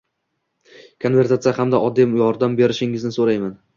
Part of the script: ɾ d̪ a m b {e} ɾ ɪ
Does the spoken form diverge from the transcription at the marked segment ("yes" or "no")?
no